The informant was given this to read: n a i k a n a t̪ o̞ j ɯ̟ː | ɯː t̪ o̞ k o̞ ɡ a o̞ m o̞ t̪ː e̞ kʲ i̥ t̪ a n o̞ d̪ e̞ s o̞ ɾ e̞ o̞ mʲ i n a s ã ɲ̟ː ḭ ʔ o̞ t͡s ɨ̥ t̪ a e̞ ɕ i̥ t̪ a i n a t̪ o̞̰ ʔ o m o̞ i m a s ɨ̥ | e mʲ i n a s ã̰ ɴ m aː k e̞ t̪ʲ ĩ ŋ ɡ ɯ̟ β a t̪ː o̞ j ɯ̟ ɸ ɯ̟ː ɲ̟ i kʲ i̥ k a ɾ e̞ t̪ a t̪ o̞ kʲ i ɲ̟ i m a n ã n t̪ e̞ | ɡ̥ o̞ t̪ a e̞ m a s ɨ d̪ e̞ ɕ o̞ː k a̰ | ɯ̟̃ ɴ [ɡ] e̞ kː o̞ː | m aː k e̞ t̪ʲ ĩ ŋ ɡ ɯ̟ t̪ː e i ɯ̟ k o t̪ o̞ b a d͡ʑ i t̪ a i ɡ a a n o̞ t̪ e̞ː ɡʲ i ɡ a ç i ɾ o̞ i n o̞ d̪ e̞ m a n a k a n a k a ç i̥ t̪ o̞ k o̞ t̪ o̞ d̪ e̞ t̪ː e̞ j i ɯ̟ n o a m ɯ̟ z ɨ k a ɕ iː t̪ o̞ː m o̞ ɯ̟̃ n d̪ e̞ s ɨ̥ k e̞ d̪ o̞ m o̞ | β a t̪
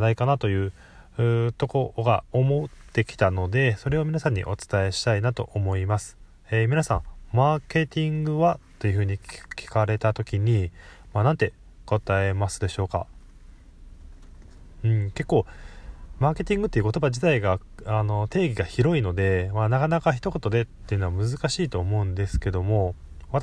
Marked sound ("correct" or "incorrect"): incorrect